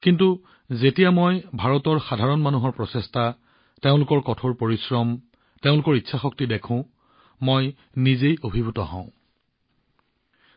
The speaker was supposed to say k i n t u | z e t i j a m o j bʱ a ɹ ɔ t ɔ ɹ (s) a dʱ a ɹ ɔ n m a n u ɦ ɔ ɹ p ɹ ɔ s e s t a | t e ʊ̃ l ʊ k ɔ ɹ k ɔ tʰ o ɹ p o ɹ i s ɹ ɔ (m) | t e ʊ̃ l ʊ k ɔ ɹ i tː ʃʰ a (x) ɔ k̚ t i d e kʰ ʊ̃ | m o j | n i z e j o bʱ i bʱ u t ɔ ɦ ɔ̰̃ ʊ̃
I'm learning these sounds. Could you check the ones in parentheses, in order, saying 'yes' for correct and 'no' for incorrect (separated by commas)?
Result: no, yes, yes